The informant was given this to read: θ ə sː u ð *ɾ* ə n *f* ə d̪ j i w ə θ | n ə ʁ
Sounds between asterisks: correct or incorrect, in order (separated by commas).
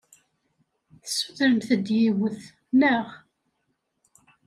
correct, incorrect